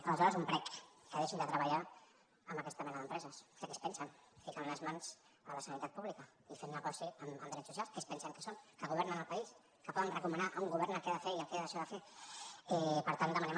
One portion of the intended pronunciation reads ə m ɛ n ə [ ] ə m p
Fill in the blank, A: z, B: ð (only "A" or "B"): B